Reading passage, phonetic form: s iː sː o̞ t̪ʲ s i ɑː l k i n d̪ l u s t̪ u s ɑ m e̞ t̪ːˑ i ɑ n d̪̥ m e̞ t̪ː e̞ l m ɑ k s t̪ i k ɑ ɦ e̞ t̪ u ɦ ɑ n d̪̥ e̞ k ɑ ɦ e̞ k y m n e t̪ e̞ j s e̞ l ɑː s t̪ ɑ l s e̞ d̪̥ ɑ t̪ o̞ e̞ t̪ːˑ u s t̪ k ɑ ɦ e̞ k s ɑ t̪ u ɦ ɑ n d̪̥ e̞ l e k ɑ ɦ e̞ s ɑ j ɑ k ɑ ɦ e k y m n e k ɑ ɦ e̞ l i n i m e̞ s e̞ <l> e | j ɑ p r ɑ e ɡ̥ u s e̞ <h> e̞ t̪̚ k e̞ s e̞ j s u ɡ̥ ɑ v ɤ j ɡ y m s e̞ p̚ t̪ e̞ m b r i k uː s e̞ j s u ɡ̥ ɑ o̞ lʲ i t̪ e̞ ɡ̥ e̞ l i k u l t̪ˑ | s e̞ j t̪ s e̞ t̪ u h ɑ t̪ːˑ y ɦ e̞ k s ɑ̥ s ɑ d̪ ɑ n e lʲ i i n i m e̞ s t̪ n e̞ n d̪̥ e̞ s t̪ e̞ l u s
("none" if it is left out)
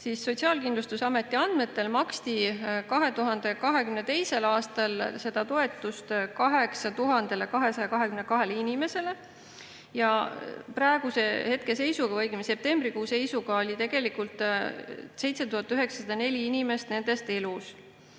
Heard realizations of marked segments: l, h

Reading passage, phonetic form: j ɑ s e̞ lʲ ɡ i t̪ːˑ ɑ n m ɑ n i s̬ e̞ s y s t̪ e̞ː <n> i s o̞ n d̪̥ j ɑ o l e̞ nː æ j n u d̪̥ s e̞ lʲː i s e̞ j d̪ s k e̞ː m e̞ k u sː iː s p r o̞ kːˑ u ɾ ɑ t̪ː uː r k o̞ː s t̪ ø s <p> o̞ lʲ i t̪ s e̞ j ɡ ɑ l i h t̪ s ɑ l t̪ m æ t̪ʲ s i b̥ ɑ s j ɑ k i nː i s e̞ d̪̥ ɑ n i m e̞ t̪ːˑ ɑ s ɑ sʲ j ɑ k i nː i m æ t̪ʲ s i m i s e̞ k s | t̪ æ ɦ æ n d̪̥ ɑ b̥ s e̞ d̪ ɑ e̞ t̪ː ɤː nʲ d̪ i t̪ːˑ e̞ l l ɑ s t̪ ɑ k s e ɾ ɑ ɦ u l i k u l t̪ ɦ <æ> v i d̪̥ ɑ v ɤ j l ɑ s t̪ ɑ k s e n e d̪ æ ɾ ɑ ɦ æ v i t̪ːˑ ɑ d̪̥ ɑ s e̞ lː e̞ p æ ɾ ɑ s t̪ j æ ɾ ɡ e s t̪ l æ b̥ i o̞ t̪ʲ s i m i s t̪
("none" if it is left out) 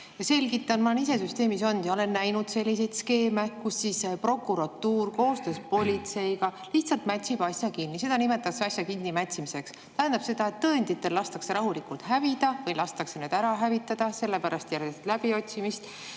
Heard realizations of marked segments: m, p, æ

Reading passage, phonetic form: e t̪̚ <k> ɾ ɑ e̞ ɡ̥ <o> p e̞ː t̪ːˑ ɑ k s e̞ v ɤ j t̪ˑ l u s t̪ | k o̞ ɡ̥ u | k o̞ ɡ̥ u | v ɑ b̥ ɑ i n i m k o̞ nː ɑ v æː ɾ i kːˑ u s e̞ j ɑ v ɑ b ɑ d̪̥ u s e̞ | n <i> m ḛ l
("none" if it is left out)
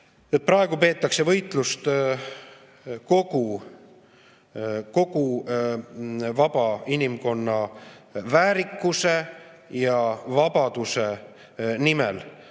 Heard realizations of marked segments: p, u, i

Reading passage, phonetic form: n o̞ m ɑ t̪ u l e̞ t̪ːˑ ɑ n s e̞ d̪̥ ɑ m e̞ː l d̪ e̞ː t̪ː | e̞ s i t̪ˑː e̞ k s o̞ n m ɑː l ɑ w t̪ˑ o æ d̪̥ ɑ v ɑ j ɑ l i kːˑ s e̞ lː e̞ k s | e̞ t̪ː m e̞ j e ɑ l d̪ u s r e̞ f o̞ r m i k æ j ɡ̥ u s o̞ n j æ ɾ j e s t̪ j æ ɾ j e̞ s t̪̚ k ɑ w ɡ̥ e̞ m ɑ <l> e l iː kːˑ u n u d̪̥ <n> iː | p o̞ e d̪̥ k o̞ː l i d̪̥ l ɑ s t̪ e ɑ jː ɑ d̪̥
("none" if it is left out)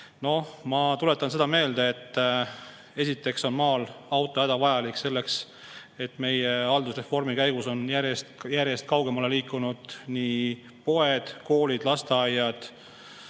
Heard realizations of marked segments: l, n

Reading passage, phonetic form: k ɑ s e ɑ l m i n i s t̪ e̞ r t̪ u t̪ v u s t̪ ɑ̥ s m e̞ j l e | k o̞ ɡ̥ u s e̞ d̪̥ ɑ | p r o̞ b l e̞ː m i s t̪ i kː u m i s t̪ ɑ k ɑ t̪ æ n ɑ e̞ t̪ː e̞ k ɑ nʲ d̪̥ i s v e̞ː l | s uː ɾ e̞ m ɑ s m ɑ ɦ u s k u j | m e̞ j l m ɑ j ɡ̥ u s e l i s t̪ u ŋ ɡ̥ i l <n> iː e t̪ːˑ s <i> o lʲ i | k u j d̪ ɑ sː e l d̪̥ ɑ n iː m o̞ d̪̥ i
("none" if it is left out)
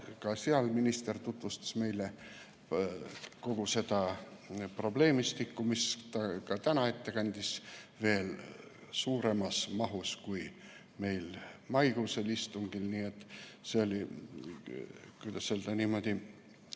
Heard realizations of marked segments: n, e

